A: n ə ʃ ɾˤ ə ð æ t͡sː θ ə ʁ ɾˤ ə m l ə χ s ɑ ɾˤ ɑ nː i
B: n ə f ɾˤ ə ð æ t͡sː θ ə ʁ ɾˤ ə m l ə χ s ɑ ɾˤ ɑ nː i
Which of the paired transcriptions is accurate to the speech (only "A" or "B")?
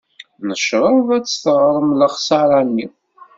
A